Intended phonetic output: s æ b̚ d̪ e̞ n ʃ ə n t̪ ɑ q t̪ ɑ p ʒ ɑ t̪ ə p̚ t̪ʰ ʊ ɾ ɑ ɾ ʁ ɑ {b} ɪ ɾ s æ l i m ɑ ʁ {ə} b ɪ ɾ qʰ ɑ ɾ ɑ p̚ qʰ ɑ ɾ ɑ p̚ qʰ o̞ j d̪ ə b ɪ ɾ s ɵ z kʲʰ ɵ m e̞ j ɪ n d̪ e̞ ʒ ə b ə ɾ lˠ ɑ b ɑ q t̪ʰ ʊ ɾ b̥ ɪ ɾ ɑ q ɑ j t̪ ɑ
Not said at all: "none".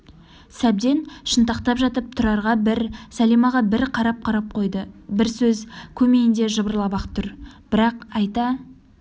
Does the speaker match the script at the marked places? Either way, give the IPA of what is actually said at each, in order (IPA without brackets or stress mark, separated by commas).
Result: b, ɑ